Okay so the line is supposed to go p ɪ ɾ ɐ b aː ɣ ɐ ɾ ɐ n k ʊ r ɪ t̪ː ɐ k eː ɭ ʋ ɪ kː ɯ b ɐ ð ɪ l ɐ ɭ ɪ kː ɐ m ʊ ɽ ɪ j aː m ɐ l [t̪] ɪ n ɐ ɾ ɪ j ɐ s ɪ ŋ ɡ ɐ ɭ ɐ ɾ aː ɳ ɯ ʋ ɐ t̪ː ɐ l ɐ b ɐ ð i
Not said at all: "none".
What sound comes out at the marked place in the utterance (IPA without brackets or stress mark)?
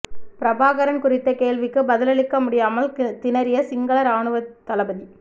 t̪